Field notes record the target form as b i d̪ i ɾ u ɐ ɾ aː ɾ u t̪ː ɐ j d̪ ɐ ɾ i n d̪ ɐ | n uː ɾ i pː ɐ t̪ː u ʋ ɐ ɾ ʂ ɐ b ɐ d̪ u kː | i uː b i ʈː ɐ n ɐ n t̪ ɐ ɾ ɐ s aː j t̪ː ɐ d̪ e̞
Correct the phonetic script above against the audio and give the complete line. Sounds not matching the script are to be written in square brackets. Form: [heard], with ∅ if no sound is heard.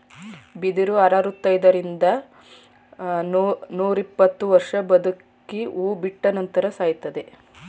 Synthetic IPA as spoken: b i d̪ i ɾ u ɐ ɾ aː ɾ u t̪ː ɐ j d̪ ɐ ɾ i n d̪ ɐ | n uː ɾ i pː ɐ t̪ː u ʋ ɐ ɾ ʂ ɐ b ɐ d̪ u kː | i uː b i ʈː ɐ n ɐ n t̪ ɐ ɾ ɐ s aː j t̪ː ɐ d̪ e̞